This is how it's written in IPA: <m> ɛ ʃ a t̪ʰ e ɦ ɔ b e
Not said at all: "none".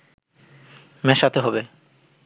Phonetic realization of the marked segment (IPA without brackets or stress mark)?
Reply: m